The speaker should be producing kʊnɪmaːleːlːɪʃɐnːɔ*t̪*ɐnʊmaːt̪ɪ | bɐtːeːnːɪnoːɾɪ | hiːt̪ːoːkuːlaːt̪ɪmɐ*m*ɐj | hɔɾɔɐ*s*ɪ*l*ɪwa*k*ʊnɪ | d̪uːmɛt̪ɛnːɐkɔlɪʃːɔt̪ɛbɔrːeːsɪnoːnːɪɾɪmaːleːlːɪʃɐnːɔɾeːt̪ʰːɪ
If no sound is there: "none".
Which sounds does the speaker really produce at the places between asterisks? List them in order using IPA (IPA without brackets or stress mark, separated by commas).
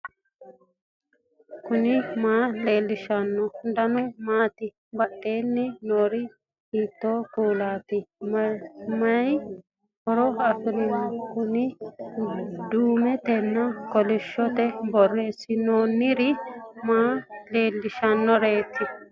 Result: d̪, m, f, ɾ, k